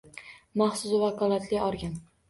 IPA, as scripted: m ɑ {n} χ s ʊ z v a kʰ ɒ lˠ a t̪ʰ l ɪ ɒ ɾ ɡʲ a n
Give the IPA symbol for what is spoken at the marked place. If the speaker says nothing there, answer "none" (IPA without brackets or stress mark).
none